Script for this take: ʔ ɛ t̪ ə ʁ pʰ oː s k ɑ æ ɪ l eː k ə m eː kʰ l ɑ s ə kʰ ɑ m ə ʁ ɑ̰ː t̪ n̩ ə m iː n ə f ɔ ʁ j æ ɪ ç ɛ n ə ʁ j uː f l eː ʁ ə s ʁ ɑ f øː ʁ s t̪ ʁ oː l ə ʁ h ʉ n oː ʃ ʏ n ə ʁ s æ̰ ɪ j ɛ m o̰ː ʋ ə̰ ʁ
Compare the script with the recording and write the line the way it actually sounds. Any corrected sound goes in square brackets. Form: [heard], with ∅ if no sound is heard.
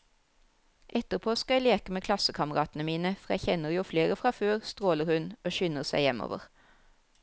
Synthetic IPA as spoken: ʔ ɛ t̪ ə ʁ pʰ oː s k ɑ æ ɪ l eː k ə m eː kʰ l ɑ s ə kʰ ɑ m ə ʁ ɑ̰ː t̪ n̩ ə m iː n ə f ɔ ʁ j æ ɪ ç ɛ n ə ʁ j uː f l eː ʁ ə [f] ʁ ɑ f øː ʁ s t̪ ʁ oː l ə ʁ h ʉ n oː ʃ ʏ n ə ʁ s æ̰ ɪ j ɛ m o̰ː ʋ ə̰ ʁ